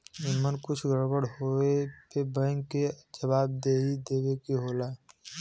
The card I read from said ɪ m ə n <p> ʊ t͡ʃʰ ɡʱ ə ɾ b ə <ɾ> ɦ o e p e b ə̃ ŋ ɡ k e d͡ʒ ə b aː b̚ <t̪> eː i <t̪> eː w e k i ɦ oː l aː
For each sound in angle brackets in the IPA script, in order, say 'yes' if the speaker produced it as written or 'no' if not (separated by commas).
no, no, no, no